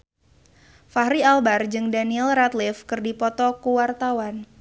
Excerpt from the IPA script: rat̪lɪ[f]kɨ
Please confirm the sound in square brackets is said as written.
yes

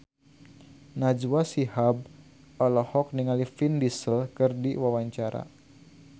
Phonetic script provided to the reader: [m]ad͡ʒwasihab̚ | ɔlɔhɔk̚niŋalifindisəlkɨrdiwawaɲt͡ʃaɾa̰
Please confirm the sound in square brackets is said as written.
no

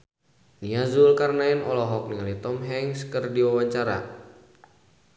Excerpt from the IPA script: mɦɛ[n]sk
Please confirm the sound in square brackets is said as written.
no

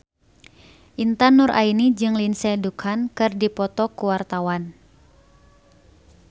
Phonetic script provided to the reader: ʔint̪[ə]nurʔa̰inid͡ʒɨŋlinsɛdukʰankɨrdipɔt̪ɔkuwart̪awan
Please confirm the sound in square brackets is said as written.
no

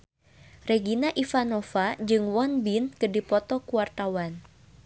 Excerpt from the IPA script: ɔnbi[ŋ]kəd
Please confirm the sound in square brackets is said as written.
no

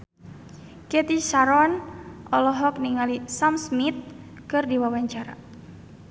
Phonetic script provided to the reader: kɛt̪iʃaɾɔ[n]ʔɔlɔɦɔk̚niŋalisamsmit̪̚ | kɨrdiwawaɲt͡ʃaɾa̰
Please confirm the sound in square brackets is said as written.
yes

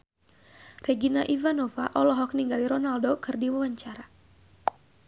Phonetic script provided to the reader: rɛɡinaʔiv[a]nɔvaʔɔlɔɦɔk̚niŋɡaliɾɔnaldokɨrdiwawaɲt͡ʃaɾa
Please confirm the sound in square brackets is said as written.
yes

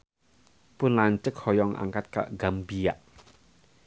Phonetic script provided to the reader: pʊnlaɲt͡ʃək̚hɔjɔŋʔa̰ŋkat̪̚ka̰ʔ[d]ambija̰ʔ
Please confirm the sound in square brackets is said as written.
no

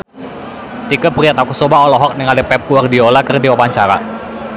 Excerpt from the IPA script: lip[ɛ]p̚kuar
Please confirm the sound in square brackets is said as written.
yes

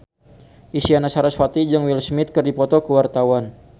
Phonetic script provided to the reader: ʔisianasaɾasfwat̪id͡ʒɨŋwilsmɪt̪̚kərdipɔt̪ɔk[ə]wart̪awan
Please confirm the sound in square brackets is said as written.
yes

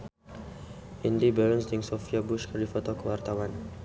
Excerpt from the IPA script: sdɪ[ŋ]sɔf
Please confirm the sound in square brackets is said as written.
yes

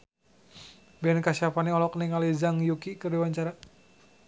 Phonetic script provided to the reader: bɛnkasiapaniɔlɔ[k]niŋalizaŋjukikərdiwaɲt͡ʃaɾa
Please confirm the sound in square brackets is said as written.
yes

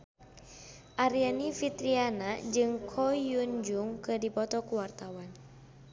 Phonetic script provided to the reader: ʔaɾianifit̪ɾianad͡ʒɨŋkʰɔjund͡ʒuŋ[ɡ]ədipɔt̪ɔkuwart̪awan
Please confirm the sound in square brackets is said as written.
no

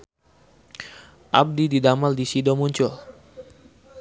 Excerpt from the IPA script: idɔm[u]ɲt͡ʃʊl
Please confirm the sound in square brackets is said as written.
yes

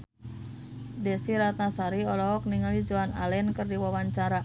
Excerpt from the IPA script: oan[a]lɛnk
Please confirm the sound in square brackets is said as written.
yes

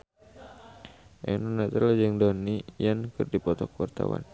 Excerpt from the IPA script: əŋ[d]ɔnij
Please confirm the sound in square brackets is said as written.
yes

